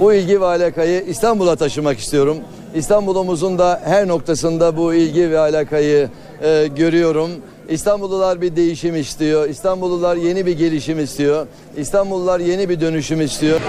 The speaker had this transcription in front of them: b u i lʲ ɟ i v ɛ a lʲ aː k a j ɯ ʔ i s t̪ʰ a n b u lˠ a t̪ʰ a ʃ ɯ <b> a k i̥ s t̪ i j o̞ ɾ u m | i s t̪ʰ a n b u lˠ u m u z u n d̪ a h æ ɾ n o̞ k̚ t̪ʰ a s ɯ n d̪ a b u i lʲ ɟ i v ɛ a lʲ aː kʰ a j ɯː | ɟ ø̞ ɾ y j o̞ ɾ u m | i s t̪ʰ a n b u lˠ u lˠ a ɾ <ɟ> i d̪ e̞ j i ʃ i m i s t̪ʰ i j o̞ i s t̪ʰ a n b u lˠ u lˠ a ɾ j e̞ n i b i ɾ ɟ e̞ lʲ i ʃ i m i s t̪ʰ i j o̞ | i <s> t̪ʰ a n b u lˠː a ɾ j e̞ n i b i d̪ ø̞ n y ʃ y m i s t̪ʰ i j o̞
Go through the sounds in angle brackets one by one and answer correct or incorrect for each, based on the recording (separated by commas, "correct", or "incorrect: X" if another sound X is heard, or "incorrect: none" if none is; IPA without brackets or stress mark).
incorrect: m, incorrect: b, correct